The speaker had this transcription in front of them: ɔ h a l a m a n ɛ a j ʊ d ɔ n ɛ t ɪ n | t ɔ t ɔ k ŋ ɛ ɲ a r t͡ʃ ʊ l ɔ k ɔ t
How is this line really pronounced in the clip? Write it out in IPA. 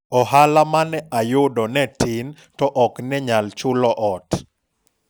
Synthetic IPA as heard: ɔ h a l a m a n ɛ a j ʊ d ɔ n ɛ t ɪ n | t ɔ ʔ ɔ k n ɛ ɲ a l t͡ʃ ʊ l ɔ ʔ ɔ t